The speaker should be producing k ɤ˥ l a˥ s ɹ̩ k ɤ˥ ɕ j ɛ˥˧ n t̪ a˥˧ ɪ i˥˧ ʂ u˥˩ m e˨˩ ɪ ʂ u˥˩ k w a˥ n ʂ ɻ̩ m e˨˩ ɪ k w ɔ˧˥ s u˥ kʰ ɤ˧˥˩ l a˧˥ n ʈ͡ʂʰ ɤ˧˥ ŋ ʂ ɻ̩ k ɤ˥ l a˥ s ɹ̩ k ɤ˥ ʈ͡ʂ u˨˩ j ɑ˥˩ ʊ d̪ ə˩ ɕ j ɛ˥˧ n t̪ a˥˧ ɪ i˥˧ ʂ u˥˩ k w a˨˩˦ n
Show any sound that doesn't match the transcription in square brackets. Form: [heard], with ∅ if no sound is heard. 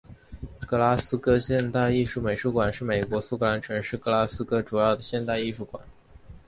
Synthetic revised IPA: k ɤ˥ l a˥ s ɹ̩ k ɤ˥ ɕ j ɛ˥˧ n t̪ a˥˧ ɪ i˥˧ ʂ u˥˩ m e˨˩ ɪ ʂ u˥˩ k w [a˨˩] n ʂ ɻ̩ m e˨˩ ɪ k w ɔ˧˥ s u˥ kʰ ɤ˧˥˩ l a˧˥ n ʈ͡ʂʰ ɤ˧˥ ŋ ʂ ɻ̩ k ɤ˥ l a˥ s ɹ̩ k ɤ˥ ʈ͡ʂ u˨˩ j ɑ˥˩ ʊ d̪ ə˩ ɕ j ɛ˥˧ n t̪ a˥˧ ɪ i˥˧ ʂ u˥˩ k w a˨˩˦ n